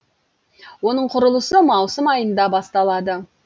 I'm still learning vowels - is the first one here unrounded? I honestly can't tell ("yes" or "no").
no